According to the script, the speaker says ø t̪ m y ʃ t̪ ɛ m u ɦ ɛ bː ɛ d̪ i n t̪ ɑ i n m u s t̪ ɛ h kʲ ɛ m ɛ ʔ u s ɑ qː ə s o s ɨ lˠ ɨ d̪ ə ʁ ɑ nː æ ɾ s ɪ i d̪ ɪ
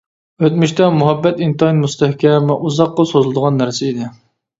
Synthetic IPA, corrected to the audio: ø t̪ m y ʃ t̪ ɛ m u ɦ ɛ bː ɛ t̪ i n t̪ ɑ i n m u s t̪ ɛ h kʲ ɛ m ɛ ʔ u z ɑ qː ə s o z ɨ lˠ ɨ d̪ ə ʁ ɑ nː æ ɾ s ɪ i d̪ ɪ